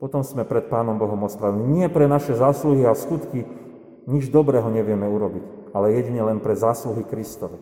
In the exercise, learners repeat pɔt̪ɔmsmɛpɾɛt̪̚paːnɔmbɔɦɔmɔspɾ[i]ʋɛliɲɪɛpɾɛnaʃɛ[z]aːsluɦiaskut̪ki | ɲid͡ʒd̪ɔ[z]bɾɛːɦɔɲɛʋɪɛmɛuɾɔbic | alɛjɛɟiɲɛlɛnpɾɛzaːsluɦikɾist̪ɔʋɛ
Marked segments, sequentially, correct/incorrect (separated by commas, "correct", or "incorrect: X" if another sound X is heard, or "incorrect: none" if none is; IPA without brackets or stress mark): incorrect: a, correct, incorrect: none